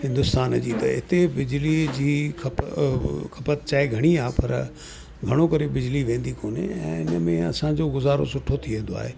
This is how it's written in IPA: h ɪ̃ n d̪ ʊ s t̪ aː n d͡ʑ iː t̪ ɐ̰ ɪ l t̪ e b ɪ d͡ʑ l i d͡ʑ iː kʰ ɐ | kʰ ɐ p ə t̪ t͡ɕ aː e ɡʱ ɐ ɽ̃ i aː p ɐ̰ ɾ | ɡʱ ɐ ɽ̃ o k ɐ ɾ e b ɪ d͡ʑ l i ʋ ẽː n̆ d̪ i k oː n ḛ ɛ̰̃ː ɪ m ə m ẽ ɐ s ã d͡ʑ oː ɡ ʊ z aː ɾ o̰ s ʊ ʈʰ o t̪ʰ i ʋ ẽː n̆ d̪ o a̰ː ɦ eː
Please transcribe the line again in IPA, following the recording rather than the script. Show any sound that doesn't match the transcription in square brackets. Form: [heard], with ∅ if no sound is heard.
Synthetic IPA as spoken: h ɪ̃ n d̪ ʊ s t̪ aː n d͡ʑ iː t̪ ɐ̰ ɪ [∅] t̪ e b ɪ d͡ʑ l i d͡ʑ iː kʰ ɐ | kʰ ɐ p ə t̪ t͡ɕ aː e ɡʱ ɐ ɽ̃ i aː p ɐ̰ ɾ | ɡʱ ɐ ɽ̃ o k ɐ ɾ e b ɪ d͡ʑ l i ʋ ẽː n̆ d̪ i k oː n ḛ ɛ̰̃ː ɪ [n] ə m ẽ ɐ s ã d͡ʑ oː ɡ ʊ z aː ɾ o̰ s ʊ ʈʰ o t̪ʰ i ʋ ẽː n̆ d̪ o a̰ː ɦ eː